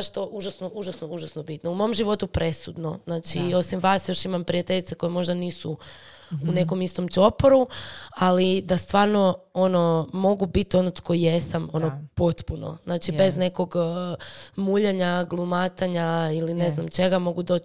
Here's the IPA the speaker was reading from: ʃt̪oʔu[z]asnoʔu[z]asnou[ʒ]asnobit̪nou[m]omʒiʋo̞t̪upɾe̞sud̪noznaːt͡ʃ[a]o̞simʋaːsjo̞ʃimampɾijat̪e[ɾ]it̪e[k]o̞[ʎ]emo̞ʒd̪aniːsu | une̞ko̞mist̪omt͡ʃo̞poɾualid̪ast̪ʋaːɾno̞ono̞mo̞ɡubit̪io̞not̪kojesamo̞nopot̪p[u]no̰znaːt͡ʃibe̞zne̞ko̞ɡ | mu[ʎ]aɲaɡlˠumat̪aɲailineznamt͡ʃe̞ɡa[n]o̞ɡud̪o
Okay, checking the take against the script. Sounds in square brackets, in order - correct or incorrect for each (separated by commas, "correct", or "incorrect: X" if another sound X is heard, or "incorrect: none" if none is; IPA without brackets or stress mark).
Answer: incorrect: ʒ, incorrect: ʒ, correct, correct, incorrect: i, incorrect: ʎ, correct, incorrect: j, correct, correct, incorrect: m